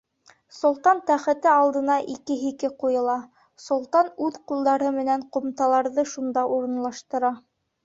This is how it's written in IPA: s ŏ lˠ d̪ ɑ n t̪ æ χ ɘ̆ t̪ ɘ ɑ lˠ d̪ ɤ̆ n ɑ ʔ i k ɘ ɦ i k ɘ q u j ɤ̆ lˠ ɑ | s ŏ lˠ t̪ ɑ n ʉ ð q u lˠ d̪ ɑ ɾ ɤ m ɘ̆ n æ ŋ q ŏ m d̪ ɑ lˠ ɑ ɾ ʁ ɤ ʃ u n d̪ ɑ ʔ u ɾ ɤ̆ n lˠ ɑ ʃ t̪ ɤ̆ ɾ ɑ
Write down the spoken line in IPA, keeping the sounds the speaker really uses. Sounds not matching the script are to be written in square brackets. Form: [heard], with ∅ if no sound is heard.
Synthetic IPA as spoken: s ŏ lˠ [t̪] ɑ n t̪ æ χ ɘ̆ t̪ ɘ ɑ lˠ d̪ ɤ̆ n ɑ ʔ i k ɘ ɦ i k ɘ q u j ɤ̆ lˠ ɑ | s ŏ lˠ t̪ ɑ n ʉ ð q u lˠ d̪ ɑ ɾ ɤ m ɘ̆ n æ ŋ q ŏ m [t̪] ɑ lˠ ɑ ɾ [ð] ɤ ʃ u n d̪ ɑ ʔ u ɾ ɤ̆ n lˠ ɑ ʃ t̪ ɤ̆ ɾ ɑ